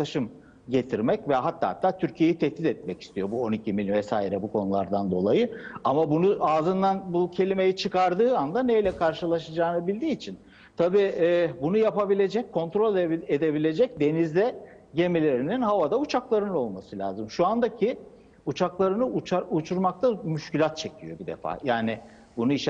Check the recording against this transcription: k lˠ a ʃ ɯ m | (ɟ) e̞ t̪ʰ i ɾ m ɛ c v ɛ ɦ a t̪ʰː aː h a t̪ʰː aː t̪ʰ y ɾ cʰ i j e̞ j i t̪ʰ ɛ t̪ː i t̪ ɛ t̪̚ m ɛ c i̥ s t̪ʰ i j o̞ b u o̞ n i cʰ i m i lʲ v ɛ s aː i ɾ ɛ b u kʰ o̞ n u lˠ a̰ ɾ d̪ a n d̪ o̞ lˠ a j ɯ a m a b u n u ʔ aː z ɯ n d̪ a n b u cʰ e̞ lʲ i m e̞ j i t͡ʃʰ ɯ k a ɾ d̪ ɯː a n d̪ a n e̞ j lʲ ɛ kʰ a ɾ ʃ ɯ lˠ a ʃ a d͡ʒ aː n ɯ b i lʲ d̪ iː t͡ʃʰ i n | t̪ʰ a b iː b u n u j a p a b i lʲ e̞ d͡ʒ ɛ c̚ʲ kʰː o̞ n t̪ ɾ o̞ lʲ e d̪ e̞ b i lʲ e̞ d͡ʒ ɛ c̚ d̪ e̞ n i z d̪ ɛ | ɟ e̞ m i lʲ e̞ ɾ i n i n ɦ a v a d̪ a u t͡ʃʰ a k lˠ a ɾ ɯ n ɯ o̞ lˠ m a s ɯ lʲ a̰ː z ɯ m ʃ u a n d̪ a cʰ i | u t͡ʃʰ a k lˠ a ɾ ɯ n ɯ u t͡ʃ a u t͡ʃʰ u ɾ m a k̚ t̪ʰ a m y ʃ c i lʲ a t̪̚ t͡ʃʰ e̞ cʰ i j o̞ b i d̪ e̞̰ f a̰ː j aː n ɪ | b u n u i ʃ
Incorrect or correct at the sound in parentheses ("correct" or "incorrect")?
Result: correct